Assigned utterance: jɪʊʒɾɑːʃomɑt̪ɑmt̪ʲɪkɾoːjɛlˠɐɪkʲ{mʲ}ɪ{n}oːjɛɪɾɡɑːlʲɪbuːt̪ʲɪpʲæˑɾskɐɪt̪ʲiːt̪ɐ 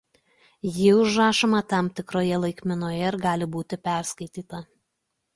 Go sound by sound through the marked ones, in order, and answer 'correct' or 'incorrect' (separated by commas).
correct, correct